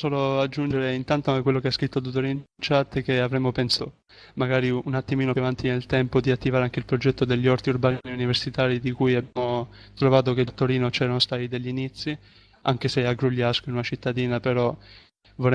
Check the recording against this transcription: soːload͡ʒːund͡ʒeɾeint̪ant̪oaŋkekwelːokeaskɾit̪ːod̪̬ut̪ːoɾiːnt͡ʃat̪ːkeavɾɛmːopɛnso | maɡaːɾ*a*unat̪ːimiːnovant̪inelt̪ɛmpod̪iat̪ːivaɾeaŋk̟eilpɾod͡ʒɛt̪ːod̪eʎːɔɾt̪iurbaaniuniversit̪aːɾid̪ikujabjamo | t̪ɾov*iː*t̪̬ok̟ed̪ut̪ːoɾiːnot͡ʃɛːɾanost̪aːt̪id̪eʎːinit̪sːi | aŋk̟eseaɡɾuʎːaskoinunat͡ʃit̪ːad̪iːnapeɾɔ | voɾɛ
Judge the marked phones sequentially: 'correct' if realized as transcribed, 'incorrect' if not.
incorrect, incorrect

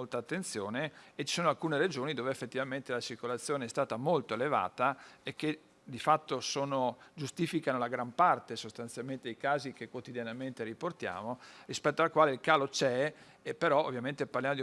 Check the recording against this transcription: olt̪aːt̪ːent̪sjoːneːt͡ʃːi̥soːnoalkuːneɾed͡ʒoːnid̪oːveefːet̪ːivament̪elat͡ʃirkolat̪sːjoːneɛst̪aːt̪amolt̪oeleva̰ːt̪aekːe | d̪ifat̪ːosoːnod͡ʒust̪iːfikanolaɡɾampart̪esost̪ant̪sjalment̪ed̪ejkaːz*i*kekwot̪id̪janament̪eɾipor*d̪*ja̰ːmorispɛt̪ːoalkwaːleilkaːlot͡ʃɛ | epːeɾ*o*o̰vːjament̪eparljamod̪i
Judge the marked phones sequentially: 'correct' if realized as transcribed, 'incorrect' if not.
correct, incorrect, incorrect

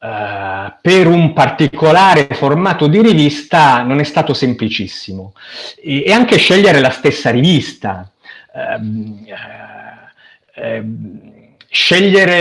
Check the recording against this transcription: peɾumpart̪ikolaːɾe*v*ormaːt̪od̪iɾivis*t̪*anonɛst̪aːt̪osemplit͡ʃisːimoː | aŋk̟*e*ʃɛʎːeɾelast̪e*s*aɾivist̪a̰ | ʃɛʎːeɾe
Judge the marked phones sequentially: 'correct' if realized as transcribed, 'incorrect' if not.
incorrect, correct, correct, incorrect

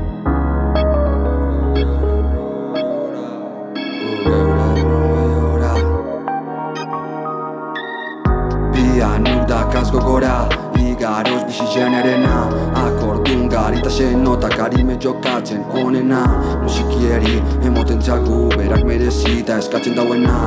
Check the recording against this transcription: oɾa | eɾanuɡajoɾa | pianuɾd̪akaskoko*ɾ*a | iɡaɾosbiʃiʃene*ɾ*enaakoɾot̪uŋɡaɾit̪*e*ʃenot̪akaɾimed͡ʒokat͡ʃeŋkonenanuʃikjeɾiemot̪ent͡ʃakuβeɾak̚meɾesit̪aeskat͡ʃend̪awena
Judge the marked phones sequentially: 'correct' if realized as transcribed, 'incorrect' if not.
correct, correct, incorrect

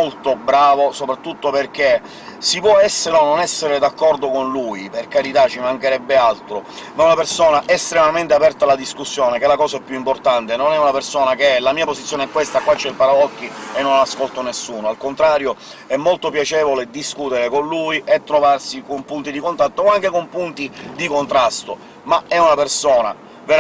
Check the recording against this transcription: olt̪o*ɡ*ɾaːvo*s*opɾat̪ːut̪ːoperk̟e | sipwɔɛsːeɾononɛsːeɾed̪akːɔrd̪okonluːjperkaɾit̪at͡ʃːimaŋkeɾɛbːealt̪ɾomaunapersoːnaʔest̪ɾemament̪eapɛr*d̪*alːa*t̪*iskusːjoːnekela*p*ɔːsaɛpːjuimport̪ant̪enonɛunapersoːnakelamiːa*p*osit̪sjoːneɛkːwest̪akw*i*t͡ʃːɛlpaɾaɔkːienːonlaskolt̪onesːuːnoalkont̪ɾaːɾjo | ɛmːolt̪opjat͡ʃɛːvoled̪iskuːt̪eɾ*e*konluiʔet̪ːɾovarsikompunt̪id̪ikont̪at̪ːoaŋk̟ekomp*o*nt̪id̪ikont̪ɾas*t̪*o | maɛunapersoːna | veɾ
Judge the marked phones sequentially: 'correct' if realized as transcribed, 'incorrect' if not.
incorrect, correct, incorrect, incorrect, incorrect, correct, incorrect, correct, incorrect, correct

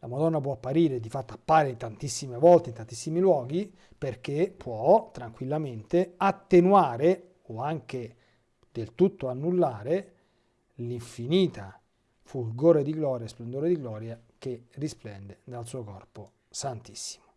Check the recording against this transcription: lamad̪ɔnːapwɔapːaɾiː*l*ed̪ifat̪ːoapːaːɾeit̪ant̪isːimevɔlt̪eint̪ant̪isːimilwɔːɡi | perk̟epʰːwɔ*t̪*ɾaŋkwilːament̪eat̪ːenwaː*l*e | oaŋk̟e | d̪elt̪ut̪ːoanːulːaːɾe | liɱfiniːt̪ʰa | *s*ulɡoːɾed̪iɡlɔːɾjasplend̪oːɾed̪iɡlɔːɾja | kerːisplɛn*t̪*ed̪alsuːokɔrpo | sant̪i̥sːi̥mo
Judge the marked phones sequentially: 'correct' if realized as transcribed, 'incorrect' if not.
incorrect, correct, incorrect, incorrect, incorrect

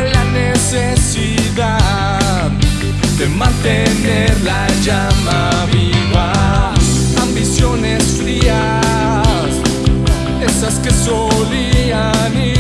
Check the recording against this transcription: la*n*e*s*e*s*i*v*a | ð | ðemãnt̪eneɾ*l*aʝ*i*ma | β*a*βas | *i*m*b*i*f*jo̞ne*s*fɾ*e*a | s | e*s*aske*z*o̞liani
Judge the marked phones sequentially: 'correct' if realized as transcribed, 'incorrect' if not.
correct, correct, correct, incorrect, correct, incorrect, incorrect, incorrect, correct, incorrect, correct, incorrect, correct, incorrect

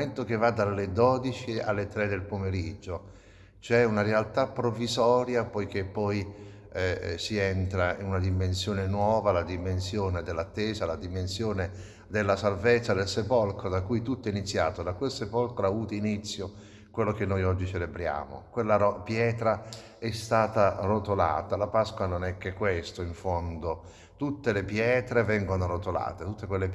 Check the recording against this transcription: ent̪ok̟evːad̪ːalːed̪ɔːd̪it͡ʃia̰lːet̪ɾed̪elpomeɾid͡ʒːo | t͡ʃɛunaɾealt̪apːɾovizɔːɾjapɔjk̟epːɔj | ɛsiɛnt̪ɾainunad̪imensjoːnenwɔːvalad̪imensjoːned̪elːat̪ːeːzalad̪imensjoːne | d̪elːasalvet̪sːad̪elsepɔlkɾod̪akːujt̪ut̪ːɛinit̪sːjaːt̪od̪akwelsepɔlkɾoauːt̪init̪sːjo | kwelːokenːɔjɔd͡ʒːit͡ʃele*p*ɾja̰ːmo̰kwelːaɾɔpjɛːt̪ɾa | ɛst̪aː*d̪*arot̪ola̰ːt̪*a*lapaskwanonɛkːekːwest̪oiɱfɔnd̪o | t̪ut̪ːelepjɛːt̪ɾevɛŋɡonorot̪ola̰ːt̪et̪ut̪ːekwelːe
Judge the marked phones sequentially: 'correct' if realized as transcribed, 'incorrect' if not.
incorrect, incorrect, correct

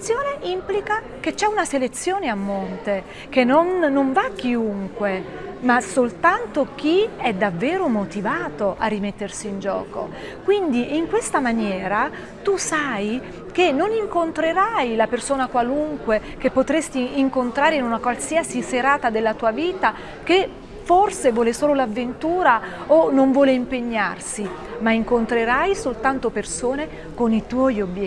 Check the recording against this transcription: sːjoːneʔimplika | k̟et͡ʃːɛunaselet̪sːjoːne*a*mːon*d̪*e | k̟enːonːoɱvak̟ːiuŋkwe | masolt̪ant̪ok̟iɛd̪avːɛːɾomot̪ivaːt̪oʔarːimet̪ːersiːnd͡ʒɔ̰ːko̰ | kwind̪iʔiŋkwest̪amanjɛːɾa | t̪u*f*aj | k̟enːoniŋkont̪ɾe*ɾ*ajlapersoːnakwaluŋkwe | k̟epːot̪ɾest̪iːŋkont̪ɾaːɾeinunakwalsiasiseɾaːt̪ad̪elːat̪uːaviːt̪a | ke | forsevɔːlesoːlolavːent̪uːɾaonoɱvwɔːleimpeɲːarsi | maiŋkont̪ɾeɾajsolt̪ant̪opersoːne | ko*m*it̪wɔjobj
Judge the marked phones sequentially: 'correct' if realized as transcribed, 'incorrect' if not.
correct, incorrect, incorrect, correct, incorrect

